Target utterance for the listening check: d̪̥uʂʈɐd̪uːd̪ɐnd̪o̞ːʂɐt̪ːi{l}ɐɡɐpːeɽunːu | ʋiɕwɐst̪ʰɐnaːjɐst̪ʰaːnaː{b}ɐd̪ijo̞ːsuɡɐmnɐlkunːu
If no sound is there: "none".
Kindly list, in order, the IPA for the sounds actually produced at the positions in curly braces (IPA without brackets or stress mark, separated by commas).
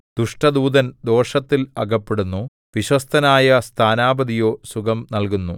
l, b